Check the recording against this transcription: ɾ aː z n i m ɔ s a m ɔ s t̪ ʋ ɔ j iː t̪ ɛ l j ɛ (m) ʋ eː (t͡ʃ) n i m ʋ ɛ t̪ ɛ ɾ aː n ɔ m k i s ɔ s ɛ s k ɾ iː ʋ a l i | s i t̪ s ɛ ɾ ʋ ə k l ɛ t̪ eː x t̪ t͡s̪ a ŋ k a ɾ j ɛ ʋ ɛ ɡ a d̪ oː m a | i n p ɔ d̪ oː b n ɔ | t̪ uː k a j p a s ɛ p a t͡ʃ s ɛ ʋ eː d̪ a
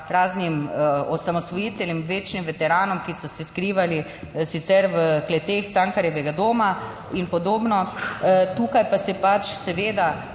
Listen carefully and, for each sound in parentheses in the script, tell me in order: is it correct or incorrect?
correct, correct

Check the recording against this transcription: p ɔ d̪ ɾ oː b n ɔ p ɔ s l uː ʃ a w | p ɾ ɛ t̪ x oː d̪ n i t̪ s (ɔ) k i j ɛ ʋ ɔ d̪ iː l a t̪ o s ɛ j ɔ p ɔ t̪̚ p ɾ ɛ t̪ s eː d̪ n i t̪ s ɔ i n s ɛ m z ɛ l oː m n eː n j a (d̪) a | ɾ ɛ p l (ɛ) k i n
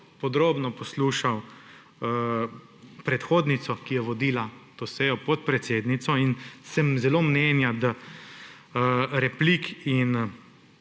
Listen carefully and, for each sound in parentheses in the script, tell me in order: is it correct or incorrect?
correct, correct, incorrect: i

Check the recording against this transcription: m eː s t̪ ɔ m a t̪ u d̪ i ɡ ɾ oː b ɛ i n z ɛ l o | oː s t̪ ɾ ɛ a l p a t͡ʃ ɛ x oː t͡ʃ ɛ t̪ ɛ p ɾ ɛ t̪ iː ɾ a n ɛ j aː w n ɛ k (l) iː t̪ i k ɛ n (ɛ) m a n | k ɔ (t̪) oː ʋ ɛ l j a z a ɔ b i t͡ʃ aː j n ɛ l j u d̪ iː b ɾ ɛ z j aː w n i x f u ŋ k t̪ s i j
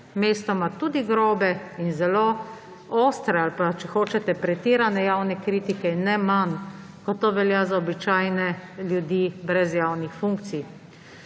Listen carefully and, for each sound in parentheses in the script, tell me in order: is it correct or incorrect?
incorrect: ɾ, correct, correct

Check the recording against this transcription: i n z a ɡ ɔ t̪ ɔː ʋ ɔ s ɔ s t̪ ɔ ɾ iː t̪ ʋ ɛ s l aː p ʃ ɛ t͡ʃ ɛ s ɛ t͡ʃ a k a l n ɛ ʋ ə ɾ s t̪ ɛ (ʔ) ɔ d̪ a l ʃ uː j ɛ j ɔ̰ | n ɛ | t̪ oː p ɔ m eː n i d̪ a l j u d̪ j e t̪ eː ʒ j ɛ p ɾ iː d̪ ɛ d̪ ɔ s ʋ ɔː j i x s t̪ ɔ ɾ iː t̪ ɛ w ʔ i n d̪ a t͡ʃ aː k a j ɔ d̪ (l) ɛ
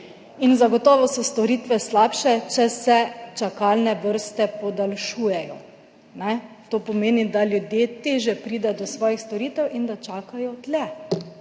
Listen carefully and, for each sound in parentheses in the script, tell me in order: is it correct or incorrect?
incorrect: p, correct

